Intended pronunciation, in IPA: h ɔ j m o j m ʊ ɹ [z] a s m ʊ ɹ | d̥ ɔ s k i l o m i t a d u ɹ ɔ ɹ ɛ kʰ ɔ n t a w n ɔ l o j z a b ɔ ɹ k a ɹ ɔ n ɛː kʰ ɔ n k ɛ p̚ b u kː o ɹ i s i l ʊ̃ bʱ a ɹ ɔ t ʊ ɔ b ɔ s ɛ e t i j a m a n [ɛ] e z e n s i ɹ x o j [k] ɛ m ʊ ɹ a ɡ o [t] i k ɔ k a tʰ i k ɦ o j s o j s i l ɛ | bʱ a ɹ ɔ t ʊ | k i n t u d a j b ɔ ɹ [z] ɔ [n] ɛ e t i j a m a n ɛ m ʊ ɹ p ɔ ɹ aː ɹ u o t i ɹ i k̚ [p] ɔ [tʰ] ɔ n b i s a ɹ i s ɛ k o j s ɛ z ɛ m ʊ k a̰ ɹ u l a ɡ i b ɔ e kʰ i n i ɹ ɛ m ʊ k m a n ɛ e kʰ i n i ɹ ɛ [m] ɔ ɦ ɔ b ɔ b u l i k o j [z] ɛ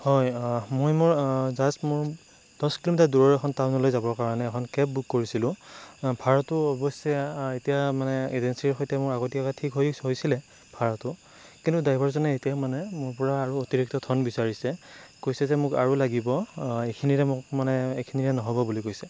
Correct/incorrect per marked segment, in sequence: correct, correct, incorrect, correct, correct, correct, incorrect, correct, incorrect, incorrect

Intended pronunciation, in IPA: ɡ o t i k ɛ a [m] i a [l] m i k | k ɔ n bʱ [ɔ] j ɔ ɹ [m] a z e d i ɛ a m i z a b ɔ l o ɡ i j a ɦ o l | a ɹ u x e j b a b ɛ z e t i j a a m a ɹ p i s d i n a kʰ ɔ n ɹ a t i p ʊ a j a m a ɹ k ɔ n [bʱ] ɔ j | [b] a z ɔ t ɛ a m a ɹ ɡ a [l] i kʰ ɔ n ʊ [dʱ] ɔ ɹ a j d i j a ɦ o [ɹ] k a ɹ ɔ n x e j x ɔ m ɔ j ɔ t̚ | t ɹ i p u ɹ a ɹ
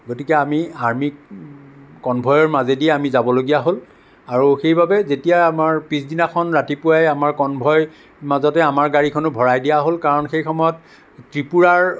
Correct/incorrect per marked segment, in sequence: correct, incorrect, correct, correct, correct, incorrect, incorrect, incorrect, incorrect

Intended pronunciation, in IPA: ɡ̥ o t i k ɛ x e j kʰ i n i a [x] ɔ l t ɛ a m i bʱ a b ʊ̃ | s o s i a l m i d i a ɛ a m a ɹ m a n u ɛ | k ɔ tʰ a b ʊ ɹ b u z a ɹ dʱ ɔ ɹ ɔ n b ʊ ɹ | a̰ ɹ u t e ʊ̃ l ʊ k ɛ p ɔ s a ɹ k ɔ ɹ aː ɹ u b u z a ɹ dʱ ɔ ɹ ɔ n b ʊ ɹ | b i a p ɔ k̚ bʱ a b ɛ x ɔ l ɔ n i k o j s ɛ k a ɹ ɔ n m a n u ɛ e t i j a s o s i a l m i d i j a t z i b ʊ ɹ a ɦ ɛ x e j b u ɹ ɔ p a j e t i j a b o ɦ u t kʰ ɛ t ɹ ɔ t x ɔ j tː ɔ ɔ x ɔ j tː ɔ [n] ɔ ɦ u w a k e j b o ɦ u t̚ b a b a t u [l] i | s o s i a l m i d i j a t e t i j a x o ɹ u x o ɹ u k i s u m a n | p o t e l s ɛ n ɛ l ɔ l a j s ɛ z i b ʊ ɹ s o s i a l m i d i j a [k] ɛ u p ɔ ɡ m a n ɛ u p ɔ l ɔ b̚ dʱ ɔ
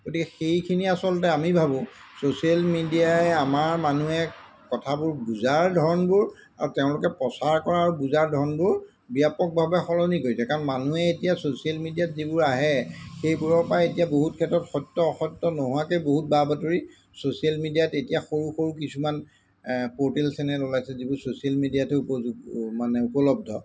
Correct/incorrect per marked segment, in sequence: incorrect, correct, incorrect, incorrect

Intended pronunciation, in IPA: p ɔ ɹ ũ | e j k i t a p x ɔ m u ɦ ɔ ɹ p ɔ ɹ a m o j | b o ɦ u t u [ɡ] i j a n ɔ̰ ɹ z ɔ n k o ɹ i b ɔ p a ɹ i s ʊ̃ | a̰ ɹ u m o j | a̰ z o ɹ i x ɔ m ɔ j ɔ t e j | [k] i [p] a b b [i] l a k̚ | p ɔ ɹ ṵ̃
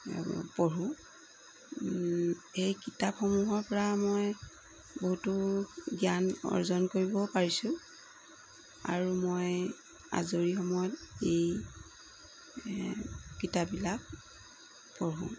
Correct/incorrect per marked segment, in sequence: correct, correct, incorrect, correct

